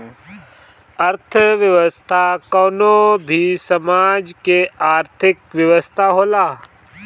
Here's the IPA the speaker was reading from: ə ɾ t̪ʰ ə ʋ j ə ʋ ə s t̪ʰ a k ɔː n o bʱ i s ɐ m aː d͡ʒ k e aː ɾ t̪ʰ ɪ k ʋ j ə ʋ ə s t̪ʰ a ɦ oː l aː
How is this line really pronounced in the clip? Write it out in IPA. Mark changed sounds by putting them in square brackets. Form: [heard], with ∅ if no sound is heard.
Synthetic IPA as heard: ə ɾ t̪ʰ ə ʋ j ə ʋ ə s t̪ʰ a k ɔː n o bʱ i s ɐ m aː d͡ʒ k e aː ɾ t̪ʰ ɪ k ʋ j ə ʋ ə s t̪ʰ a ɦ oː l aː